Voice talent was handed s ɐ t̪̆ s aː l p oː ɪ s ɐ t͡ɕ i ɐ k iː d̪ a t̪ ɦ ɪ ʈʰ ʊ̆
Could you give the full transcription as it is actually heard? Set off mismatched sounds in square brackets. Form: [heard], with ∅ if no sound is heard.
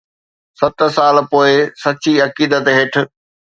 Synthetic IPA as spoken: s ɐ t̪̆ s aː l p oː ɪ s ɐ t͡ɕ i ɐ k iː d̪ [ə] t̪ ɦ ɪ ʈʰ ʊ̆